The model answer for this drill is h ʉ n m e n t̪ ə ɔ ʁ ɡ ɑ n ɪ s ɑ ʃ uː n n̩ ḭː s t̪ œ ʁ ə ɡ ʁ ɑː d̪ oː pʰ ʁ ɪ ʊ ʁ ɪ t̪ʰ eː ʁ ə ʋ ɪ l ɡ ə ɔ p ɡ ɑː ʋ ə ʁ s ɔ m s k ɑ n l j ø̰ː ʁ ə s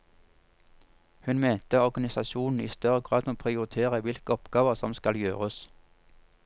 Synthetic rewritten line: h ʉ n m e n t̪ ə ɔ ʁ ɡ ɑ n ɪ s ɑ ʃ uː n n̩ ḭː s t̪ œ ʁ ə ɡ ʁ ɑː d̪ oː pʰ ʁ ɪ ʊ ʁ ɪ t̪ʰ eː ʁ ə ʋ ɪ l k ə ɔ p ɡ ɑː ʋ ə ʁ s ɔ m s k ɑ l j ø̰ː ʁ ə s